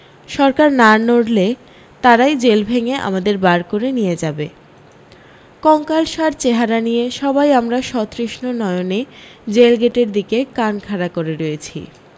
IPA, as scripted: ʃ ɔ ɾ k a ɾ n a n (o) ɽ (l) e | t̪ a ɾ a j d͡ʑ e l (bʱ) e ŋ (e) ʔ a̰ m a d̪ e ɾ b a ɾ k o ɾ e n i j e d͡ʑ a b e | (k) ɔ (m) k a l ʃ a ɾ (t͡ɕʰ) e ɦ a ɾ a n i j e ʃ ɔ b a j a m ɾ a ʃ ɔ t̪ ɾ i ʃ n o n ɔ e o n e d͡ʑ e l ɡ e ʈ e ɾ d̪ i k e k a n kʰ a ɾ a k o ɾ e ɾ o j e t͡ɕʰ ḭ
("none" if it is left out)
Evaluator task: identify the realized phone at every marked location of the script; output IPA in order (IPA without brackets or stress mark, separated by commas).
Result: o, l, bʱ, e, k, ŋ, t͡ɕ